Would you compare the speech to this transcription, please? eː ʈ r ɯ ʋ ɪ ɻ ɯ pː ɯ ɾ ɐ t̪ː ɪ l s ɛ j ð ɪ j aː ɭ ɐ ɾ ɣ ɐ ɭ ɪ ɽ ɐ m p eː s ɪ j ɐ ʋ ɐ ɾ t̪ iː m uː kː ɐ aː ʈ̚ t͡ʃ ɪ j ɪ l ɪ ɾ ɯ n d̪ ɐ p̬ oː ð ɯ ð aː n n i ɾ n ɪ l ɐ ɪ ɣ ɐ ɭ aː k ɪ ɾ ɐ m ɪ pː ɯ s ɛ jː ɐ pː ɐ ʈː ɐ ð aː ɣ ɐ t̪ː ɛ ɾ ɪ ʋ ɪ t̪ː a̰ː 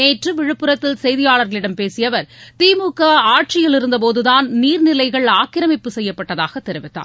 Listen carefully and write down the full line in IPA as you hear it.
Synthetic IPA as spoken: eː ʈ r ɯ ʋ ɪ ɻ ɯ pː ɯ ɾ ɐ t̪ː ɪ l s ɛ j ð ɪ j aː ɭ ɐ ɾ ɣ ɐ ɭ ɪ ɽ ɐ m p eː s ɪ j ɐ ʋ ɐ ɾ t̪ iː m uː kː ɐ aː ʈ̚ t͡ʃ ɪ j ɪ l ɪ ɾ ɯ n d̪ ɐ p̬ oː ð ɯ ð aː n n iː ɾ n ɪ l ɐ ɪ ɣ ɐ ɭ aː k ɪ ɾ ɐ m ɪ pː ɯ s ɛ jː ɐ pː ɐ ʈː ɐ ð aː ɣ ɐ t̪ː ɛ ɾ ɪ ʋ ɪ t̪ː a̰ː

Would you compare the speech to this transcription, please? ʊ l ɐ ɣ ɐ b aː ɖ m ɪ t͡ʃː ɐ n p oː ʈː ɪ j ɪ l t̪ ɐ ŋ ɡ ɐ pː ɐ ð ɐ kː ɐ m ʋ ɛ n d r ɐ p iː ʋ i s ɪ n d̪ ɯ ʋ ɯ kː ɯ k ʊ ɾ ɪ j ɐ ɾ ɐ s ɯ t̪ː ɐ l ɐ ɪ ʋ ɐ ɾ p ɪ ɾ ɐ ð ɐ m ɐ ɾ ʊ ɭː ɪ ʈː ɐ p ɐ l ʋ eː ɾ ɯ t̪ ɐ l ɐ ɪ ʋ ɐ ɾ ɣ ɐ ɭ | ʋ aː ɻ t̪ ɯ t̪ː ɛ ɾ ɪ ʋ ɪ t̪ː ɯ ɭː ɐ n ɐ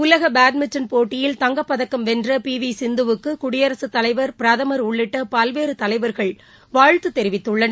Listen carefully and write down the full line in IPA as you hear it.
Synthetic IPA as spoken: ʊ l ɐ ɣ ɐ b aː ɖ m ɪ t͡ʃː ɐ n p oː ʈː ɪ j ɪ l t̪ ɐ ŋ ɡ ɐ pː ɐ ð ɐ kː ɐ m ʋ ɛ n d r ɐ p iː ʋ i s ɪ n d̪ ɯ ʋ ɯ kː ɯ k ʊ ɽ ɪ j ɐ ɾ ɐ s ɯ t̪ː ɐ l ɐ ɪ ʋ ɐ ɾ p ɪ ɾ ɐ ð ɐ m ɐ ɾ ʊ ɭː ɪ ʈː ɐ p ɐ l ʋ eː ɾ ɯ t̪ ɐ l ɐ ɪ ʋ ɐ ɾ ɣ ɐ ɭ | ʋ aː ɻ t̪ ɯ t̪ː ɛ ɾ ɪ ʋ ɪ t̪ː ɯ ɭː ɐ n ɐ

